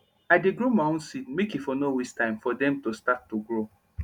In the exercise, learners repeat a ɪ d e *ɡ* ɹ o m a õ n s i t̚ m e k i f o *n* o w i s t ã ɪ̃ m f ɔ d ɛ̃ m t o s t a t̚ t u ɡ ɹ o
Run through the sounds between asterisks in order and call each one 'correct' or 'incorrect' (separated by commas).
correct, correct